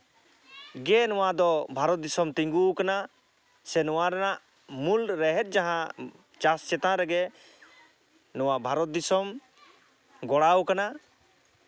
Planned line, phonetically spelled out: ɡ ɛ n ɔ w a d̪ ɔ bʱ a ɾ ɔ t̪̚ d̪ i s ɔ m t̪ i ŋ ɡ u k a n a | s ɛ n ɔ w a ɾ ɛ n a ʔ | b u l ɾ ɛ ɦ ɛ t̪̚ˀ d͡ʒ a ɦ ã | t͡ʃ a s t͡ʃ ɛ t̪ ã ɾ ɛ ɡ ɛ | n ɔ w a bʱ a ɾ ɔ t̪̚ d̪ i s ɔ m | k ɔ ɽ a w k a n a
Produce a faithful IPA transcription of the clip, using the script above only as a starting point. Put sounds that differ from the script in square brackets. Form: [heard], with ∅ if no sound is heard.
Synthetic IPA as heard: ɡ ɛ n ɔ w a d̪ ɔ bʱ a ɾ ɔ t̪̚ d̪ i s ɔ m t̪ i ŋ ɡ u k a n a | s ɛ n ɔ w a ɾ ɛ n a ʔ | [m] u l ɾ ɛ ɦ ɛ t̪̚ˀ d͡ʒ a ɦ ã | t͡ʃ a s t͡ʃ ɛ t̪ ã ɾ ɛ ɡ ɛ | n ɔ w a bʱ a ɾ ɔ t̪̚ d̪ i s ɔ m | [ɡ] ɔ ɽ a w k a n a